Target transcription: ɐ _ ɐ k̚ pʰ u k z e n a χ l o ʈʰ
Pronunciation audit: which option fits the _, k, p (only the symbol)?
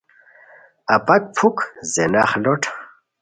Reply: p